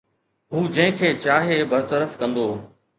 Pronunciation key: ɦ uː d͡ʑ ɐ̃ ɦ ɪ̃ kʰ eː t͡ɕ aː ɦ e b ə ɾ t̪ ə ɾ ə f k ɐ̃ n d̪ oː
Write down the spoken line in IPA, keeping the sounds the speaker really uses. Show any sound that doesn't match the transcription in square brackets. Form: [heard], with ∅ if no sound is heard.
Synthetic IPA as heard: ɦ uː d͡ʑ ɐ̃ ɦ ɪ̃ kʰ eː t͡ɕ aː ɦ e b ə ɾ t̪ ə ɾ ə f k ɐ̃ n d̪ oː